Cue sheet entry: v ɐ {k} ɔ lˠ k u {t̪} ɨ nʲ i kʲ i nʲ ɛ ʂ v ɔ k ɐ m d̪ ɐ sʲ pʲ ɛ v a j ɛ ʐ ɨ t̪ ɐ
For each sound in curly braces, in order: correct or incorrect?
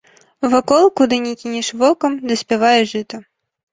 correct, incorrect

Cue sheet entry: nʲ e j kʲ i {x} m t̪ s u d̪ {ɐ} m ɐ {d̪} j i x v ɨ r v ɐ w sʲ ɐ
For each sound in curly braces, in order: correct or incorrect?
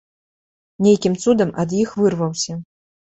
incorrect, correct, correct

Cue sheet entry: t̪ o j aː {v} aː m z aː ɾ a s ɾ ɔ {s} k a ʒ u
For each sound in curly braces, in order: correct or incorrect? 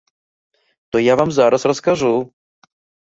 correct, correct

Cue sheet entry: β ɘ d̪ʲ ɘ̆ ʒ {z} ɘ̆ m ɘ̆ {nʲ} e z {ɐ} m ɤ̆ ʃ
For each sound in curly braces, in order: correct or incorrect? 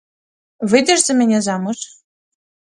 correct, correct, incorrect

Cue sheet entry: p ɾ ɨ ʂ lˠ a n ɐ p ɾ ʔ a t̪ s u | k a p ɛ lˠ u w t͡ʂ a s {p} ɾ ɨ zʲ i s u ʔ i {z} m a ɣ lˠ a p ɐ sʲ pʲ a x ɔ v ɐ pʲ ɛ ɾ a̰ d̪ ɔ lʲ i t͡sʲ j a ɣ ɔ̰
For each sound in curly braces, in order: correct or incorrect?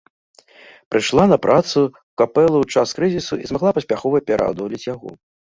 incorrect, correct

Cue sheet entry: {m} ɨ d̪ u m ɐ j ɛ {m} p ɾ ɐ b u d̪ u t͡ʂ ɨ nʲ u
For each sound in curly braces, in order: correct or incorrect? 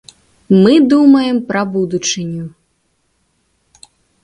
correct, correct

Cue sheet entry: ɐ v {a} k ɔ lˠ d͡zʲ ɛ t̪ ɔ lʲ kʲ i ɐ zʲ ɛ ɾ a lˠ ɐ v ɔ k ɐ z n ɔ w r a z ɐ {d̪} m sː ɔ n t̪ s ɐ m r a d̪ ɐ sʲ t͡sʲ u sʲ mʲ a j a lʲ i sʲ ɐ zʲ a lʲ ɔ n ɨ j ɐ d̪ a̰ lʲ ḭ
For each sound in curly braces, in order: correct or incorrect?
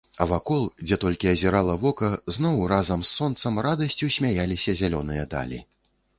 correct, incorrect

